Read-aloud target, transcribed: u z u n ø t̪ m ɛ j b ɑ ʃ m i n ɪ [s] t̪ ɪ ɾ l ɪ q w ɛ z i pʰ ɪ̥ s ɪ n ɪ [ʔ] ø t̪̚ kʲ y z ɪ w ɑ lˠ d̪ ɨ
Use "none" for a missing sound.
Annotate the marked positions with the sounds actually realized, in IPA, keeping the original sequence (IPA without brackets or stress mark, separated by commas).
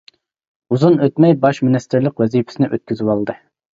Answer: s, ʔ